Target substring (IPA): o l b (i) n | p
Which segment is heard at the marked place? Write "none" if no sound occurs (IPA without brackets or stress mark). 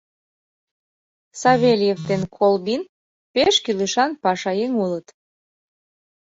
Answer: i